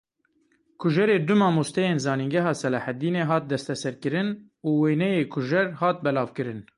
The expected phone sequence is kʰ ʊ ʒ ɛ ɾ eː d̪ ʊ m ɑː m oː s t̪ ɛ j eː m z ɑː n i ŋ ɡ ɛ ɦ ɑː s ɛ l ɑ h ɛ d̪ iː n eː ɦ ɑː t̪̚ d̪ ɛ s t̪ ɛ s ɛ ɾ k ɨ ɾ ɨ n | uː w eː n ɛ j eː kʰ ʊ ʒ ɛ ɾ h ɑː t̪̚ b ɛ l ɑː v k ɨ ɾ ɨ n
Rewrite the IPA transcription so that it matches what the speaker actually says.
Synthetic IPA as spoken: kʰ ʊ ʒ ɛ ɾ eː d̪ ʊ m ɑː m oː s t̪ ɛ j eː n z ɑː n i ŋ ɡ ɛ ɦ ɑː s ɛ l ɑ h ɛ d̪ iː n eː ɦ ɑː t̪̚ d̪ ɛ s t̪ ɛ s ɛ ɾ k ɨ ɾ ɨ n | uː w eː n ɛ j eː kʰ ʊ ʒ ɛ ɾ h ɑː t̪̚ b ɛ l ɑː v k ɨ ɾ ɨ n